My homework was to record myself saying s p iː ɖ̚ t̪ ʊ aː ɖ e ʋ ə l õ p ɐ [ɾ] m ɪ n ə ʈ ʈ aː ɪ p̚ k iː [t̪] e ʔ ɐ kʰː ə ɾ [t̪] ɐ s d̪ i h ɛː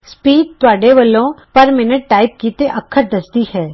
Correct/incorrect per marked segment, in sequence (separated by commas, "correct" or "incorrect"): correct, correct, incorrect